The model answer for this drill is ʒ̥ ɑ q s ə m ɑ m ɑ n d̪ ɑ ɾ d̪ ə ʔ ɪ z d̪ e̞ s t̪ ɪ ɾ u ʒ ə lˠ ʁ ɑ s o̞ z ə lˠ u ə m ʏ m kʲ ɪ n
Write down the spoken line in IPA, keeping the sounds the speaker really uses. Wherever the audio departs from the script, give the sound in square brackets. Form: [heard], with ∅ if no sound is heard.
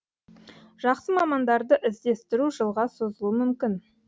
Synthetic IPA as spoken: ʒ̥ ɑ q s ə m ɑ m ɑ n d̪ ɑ ɾ d̪ ə ʔ ɪ z d̪ e̞ s t̪ ɪ ɾ u ʒ ə lˠ ʁ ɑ s o̞ z ə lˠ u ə m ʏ m kʲ ɪ n